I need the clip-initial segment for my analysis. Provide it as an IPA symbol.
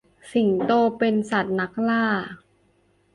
s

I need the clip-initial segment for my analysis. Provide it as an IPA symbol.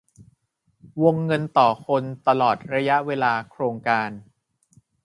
w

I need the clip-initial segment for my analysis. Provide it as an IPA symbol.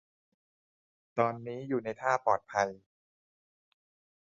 t̪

